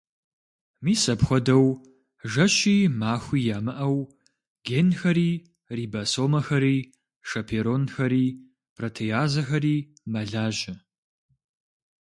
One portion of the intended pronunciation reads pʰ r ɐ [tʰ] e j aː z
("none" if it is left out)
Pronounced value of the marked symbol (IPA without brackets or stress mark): tʰ